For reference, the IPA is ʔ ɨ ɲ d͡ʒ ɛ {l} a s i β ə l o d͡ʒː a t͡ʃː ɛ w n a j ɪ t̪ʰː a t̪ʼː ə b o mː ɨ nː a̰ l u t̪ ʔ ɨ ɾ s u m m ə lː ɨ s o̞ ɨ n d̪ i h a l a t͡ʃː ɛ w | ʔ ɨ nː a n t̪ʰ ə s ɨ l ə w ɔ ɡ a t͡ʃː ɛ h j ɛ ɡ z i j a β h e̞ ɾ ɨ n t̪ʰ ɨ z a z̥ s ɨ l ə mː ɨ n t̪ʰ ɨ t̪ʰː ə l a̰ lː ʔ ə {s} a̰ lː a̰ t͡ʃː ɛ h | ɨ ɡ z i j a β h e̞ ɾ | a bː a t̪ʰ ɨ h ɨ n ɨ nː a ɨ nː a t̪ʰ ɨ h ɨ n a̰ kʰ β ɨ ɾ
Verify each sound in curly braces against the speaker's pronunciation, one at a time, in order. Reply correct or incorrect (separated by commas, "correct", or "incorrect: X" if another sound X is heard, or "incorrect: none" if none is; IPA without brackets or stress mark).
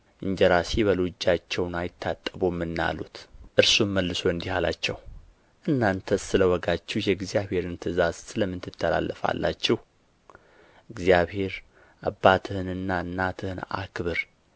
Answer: incorrect: ɾ, incorrect: f